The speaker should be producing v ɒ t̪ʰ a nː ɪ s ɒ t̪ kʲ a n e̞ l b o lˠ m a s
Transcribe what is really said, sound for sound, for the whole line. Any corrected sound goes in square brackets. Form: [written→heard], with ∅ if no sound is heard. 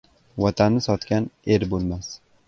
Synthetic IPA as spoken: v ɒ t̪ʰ a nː ɪ s ɒ t̪ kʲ a n e̞ [l→ɾ] b o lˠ m a s